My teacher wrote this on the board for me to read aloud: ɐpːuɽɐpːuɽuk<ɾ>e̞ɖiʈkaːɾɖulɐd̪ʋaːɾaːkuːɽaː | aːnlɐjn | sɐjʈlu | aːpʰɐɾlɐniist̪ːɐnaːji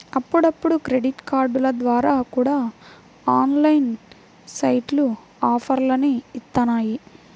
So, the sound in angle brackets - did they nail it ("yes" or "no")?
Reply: yes